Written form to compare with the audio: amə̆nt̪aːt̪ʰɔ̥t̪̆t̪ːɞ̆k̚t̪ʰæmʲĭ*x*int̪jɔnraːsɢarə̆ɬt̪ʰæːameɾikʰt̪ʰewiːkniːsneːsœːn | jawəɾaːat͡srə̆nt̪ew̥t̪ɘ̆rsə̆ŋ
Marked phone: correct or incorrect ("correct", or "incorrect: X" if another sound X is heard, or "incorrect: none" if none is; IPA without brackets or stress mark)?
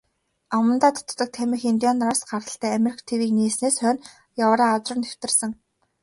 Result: correct